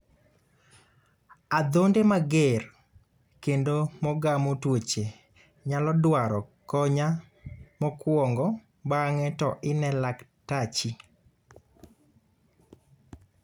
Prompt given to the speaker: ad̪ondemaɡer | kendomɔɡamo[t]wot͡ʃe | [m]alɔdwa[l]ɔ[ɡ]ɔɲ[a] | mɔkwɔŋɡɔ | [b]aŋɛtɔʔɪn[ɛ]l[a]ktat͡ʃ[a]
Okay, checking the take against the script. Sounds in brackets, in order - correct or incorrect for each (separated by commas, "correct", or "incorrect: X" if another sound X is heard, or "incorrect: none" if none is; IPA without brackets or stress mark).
correct, incorrect: ɲ, incorrect: ɾ, incorrect: k, correct, correct, correct, correct, incorrect: i